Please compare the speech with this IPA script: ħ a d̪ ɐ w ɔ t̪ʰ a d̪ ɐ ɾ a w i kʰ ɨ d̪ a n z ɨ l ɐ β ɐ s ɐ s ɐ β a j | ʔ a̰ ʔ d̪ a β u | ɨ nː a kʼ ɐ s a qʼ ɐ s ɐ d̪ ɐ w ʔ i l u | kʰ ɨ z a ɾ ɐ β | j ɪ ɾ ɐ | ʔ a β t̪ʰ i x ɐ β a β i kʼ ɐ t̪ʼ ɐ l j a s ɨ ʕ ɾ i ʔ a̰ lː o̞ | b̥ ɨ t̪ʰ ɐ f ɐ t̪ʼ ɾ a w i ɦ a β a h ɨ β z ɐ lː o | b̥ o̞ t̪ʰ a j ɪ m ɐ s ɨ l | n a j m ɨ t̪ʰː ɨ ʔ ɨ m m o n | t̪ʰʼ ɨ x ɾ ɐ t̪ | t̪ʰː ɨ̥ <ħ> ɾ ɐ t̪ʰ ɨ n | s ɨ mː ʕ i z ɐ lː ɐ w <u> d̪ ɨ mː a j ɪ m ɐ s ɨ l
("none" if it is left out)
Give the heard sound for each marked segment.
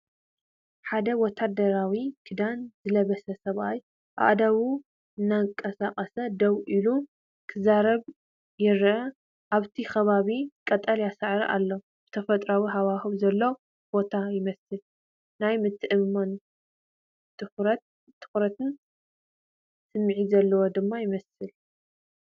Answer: x, o

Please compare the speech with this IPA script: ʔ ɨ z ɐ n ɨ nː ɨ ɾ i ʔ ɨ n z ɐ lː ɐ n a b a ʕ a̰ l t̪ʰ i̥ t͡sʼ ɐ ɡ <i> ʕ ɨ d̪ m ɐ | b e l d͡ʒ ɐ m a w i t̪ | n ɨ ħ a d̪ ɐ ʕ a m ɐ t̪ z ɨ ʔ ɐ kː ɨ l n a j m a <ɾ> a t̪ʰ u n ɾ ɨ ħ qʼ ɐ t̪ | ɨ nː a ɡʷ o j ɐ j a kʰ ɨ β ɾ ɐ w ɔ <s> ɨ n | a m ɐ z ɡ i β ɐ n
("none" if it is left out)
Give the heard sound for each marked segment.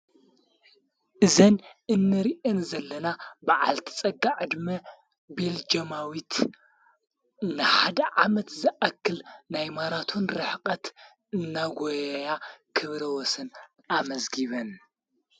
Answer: a, ɾ, s

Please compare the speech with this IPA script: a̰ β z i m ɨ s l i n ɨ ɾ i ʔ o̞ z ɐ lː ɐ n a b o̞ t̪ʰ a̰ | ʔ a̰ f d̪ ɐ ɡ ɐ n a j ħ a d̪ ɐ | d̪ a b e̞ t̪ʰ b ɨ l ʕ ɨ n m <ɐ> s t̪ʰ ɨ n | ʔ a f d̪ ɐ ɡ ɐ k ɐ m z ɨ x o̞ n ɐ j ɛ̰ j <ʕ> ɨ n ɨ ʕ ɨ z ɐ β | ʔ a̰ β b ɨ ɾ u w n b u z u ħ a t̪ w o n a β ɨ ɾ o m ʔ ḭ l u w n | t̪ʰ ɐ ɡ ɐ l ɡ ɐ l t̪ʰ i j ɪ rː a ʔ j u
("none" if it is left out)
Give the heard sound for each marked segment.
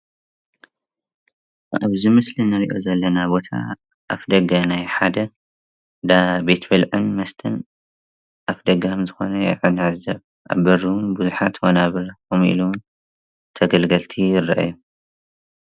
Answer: ɐ, ʕ

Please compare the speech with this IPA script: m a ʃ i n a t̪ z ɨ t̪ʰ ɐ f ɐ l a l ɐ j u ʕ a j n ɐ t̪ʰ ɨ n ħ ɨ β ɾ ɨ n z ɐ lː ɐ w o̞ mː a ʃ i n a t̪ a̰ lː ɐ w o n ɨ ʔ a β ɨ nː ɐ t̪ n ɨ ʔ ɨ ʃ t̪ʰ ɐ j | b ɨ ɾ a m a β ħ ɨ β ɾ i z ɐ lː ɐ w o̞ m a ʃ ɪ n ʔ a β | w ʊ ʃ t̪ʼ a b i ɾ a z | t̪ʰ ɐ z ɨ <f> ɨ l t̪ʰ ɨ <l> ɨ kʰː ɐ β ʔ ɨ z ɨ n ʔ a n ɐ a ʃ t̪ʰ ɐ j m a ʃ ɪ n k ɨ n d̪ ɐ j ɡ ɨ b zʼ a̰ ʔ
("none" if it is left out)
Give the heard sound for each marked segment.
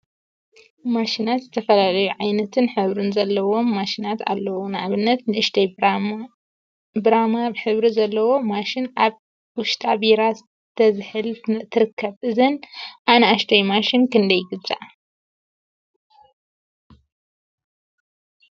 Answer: ħ, ɾ

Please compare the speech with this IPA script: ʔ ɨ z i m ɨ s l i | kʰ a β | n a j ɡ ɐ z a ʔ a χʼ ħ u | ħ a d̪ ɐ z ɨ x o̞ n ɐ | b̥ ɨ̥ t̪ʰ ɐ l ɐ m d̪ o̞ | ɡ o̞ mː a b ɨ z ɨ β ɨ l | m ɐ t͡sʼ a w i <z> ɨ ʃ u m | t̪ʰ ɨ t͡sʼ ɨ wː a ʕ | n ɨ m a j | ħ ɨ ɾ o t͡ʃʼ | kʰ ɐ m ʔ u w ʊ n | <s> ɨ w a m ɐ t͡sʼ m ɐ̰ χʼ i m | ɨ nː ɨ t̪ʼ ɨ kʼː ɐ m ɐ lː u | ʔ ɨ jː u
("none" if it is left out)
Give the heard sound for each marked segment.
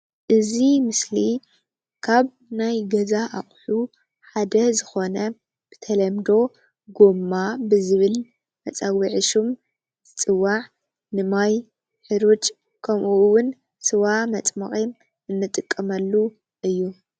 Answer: ʕ, s

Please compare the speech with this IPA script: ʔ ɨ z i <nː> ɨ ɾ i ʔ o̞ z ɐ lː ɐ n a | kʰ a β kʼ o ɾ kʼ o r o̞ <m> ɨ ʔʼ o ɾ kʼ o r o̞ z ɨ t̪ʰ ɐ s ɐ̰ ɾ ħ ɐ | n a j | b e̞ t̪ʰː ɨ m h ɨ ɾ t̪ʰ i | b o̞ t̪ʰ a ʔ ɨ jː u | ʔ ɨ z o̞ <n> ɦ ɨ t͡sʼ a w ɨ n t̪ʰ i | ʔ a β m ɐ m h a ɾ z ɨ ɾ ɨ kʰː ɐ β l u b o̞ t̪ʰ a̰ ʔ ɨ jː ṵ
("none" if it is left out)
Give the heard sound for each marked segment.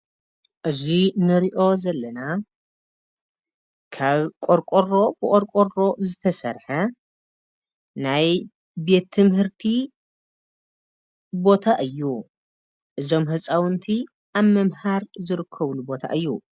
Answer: n, b, m

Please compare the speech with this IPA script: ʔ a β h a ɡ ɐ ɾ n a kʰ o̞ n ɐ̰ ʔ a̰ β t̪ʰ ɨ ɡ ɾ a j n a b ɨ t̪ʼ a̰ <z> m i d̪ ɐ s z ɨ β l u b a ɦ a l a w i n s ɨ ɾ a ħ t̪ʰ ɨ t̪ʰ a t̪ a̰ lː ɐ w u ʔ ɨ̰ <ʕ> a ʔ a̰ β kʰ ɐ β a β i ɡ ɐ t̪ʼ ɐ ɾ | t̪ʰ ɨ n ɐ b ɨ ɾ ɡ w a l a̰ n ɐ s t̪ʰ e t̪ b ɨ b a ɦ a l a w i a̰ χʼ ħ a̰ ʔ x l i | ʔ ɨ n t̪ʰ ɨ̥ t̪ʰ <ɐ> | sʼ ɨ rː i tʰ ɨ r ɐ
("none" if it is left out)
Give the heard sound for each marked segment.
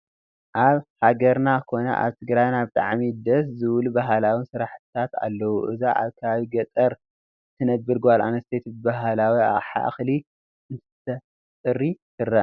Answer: ʕ, z, ɐ

